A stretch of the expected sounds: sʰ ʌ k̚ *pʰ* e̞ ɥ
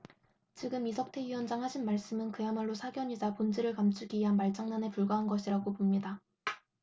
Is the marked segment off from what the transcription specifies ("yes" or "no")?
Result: yes